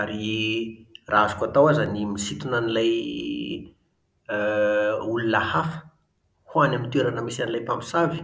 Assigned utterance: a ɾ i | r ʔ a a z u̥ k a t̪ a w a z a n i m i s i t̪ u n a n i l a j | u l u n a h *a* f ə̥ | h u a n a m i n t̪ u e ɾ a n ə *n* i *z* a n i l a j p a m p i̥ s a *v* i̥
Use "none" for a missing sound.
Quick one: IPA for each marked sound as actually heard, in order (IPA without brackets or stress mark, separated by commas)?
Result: a, m, s, v